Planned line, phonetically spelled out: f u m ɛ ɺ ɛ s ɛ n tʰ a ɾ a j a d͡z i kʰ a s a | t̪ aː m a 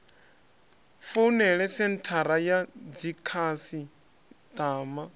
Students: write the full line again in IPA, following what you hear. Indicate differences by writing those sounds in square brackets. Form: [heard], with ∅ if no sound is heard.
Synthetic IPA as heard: f u [n] ɛ ɺ ɛ s ɛ n tʰ a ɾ a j a d͡z i kʰ a s [i] | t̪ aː m a